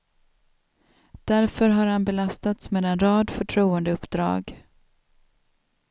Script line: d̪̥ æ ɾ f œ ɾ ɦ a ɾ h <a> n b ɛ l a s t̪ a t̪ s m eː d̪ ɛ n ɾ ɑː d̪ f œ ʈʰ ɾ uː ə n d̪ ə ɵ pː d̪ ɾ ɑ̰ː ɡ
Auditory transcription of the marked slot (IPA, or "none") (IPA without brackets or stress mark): a